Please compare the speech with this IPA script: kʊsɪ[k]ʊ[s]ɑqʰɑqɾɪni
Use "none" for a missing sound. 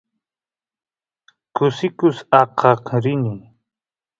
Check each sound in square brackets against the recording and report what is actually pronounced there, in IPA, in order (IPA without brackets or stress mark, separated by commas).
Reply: k, s